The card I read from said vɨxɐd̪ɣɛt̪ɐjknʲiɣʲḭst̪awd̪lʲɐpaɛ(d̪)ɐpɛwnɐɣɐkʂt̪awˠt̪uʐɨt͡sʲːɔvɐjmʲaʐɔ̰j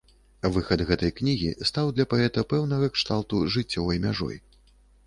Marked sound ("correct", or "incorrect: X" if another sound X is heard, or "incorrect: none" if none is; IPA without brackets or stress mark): incorrect: t̪